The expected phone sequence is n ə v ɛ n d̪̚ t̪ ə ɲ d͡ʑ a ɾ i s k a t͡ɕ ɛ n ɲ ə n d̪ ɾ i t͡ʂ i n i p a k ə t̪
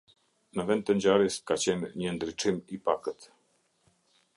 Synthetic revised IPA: n ə v ɛ n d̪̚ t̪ ə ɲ d͡ʑ a ɾ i s k a t͡ɕ ɛ n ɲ ə n d̪ ɾ i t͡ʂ i m i p a k ə t̪